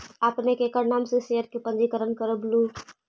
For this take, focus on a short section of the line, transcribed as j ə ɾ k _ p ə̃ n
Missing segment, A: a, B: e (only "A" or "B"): B